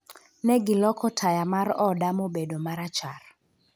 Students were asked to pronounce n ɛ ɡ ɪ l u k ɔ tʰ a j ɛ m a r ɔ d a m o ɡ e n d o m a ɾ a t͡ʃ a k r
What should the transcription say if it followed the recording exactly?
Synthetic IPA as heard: n ɛ ɡ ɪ l ɔ k ɔ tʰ a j a m a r ɔ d a m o b e d o m a ɾ a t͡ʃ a r